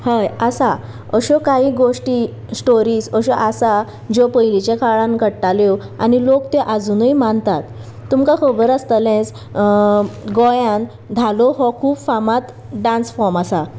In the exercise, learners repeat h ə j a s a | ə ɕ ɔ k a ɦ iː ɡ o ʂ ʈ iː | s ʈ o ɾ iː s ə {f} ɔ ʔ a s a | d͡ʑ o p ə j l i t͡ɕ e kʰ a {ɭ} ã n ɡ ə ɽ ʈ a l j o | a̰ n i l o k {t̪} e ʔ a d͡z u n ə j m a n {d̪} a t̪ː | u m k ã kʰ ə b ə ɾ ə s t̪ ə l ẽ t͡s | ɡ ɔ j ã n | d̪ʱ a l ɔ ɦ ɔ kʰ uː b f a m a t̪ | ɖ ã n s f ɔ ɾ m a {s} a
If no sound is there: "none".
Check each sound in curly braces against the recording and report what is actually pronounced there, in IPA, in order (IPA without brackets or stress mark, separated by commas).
ɕ, ɭ, t̪, t̪, s